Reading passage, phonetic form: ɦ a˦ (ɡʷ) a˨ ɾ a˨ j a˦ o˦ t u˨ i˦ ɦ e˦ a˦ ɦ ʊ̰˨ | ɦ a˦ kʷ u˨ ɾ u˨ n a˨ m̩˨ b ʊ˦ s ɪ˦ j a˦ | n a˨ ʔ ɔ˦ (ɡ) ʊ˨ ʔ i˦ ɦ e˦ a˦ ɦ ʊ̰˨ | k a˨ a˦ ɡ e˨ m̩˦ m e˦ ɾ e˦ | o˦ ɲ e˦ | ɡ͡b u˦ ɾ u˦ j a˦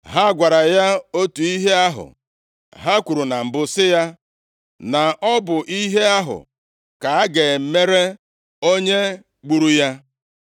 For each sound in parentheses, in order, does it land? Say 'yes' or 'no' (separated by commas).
yes, no